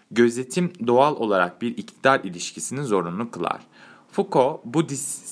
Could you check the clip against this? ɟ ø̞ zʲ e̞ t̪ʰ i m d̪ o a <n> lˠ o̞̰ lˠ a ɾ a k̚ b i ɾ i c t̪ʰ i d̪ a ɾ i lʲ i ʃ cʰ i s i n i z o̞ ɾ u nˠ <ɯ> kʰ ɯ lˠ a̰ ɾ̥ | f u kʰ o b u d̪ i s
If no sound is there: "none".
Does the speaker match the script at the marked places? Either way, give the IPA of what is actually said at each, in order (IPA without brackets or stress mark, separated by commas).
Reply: none, u